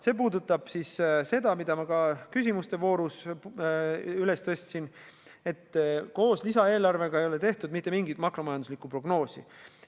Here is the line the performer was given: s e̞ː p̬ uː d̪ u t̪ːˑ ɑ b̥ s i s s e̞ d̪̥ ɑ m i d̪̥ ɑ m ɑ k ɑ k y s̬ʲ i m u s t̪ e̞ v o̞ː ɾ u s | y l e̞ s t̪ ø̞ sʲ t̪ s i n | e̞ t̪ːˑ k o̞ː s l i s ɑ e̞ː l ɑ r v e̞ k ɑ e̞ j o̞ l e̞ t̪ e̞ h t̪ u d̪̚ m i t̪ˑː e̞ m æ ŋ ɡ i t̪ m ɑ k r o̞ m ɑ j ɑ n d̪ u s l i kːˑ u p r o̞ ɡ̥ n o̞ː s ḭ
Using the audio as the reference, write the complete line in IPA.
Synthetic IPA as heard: s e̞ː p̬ uː d̪ u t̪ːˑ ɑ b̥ s i s s e̞ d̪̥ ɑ m i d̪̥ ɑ m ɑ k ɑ k y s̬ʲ i m u s t̪ e̞ v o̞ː ɾ u s | y l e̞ s t̪ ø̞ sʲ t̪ s i n | e̞ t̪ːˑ k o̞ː s l i s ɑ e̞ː l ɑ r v e̞ ɡ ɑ e̞ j o̞ l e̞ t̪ e̞ h t̪ u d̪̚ m i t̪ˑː e̞ m i ŋ ɡ i t̪ m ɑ k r o̞ m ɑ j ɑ n d̪ u s l i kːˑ u p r o̞ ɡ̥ n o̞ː s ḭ

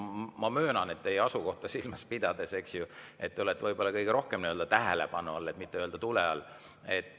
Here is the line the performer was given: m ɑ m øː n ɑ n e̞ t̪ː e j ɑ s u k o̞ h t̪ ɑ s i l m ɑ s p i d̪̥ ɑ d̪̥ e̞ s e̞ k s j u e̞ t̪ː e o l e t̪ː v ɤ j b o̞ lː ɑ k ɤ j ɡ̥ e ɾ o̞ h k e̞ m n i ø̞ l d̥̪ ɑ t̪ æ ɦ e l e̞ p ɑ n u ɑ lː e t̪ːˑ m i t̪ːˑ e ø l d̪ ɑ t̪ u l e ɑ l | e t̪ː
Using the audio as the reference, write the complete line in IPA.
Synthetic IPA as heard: m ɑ m øː n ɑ n e̞ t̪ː e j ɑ s u k o̞ h t̪ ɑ s i l m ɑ s p i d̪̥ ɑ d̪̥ e̞ s e̞ k s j u e̞ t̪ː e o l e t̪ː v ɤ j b o̞ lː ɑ k ɤ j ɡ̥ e ɾ o̞ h k e̞ m n i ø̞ l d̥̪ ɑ t̪ æ ɦ e l e̞ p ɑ n u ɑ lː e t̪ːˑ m i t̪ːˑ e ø l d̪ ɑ t̪ u l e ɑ l | e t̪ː

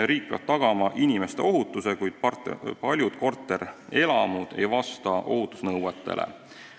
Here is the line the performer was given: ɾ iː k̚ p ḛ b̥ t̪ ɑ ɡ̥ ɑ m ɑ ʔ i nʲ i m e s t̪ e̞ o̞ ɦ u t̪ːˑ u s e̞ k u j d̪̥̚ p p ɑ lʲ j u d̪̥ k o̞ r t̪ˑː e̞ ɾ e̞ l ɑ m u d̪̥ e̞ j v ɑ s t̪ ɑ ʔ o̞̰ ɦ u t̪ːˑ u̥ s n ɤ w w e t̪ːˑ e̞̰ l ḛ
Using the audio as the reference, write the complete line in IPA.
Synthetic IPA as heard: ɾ iː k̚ p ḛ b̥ t̪ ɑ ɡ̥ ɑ m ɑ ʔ i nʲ i m e s t̪ e̞ o̞ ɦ u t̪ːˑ u s e̞ k u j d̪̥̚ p p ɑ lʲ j u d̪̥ k o̞ r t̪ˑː e̞ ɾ e̞ l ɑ m u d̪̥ e̞ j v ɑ s t̪ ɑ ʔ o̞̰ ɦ u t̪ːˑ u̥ s n ɤ w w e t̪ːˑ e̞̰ l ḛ

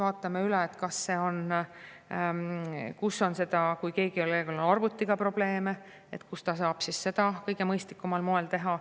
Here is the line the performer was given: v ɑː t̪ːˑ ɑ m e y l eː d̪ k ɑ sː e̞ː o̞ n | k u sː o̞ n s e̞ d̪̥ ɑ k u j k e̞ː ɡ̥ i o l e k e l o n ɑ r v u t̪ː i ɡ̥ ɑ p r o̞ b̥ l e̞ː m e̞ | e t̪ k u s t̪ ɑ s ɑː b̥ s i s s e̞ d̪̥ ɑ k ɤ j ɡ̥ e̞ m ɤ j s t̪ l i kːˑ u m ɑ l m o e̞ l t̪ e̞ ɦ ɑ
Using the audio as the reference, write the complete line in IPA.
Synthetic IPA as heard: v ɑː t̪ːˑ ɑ m e y l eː t̪ k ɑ sː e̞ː o̞ n | k u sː o̞ n s e̞ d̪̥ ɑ k u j k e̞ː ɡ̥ i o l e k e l o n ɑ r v u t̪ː i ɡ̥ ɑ p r o̞ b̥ l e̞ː m e̞ | e t̪ k u s t̪ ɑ s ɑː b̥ s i s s e̞ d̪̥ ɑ k ɤ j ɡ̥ e̞ m ɤ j s t̪ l i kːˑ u m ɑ l m o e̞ l t̪ e̞ ɦ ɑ

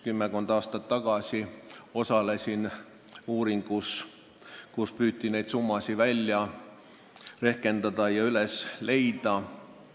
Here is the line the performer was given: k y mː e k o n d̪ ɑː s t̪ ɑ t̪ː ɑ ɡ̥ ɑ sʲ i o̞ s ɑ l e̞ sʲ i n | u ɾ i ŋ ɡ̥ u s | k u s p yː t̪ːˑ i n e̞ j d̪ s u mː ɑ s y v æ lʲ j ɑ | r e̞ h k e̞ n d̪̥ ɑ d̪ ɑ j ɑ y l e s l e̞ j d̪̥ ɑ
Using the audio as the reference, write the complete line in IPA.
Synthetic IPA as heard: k y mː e k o n d̪ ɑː s t̪ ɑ t̪ː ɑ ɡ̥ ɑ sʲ i o̞ s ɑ l e̞ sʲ i n | uː ɾ i ŋ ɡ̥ u s | k u s p yː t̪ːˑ i n e̞ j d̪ s u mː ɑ s i v æ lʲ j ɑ | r e̞ h k e̞ n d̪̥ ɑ d̪ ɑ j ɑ y l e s l e̞ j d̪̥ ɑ

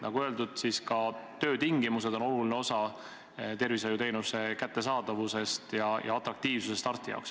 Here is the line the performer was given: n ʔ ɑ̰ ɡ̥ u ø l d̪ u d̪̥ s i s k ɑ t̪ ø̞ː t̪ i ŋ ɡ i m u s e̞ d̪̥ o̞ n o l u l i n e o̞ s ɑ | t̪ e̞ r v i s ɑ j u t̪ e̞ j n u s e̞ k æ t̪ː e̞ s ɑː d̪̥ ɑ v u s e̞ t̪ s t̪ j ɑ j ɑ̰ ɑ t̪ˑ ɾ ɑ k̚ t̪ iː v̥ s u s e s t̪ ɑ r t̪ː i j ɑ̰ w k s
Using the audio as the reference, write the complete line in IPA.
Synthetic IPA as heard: n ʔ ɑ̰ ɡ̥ u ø l d̪ u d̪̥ s i s k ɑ t̪ ø̞ː t̪ i ŋ ɡ i m u s e̞ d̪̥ o̞ n o l u l i n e o̞ s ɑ | t̪ e̞ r v i s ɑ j u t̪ e̞ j n u s e̞ k æ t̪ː e̞ s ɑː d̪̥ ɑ v u s e̞ s t̪ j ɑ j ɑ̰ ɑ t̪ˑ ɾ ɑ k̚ t̪ iː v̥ s u s e s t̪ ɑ r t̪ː i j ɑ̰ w k s

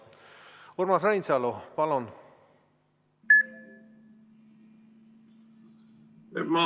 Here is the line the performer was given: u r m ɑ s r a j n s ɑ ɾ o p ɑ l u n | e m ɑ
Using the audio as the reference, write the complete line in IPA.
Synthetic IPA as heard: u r m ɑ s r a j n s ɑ l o p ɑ l o n | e m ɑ

